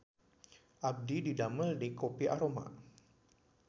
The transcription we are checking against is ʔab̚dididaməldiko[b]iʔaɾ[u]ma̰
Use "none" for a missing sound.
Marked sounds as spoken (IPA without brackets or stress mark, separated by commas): p, o